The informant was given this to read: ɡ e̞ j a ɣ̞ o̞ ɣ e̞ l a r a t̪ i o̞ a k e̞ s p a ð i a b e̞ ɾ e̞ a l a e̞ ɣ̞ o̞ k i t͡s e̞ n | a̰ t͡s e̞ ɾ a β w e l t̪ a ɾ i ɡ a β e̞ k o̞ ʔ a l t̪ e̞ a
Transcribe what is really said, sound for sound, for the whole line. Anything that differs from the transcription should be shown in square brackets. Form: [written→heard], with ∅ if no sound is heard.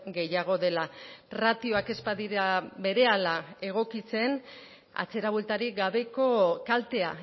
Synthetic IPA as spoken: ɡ e̞ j a ɣ̞ o̞ [ɣ→ð] e̞ l a r a t̪ i o̞ a k e̞ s p a ð i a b e̞ ɾ e̞ a l a e̞ ɣ̞ o̞ k i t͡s e̞ n | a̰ t͡s e̞ ɾ a β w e l t̪ a ɾ i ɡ a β e̞ k o̞ [ʔ→k] a l t̪ e̞ a